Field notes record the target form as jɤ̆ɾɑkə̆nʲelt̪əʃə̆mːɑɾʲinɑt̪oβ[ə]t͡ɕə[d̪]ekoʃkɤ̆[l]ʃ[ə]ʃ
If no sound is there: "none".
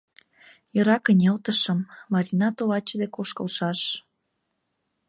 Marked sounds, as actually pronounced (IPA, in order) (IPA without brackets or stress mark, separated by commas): ɑ, d̪, l, ɑ